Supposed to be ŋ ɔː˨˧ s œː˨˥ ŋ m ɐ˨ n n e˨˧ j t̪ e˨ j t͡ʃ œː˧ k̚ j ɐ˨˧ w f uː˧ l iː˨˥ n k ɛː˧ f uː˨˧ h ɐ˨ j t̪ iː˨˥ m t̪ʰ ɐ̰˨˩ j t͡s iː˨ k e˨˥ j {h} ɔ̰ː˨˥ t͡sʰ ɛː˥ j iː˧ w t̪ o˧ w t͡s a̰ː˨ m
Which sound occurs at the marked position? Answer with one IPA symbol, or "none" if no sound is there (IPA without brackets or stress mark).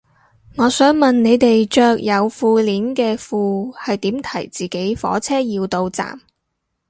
f